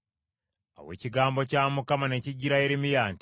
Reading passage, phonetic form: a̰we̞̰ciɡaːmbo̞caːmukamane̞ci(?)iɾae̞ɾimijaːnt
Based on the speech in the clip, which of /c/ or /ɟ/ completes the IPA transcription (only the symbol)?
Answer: ɟ